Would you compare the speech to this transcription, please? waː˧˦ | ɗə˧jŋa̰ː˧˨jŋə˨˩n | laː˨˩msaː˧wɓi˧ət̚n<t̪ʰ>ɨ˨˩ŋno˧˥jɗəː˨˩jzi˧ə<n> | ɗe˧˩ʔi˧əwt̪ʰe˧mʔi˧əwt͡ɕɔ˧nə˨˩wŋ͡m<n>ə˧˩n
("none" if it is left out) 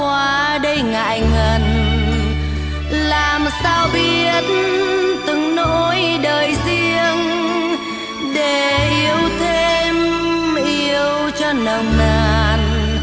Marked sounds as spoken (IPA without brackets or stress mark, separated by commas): t̪, ŋ, n